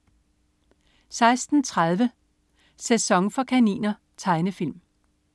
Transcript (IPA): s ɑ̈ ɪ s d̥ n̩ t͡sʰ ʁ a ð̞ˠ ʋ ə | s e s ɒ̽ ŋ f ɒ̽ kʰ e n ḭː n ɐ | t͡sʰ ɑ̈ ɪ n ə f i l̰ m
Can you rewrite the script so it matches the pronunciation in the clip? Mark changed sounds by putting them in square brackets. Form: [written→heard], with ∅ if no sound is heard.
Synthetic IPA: s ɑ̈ ɪ s d̥ n̩ t͡sʰ ʁ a ð̞ˠ ʋ ə | s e s ɒ̽ ŋ f ɒ̽ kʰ [e→æ] n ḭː n ɐ | t͡sʰ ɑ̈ ɪ n ə f i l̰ m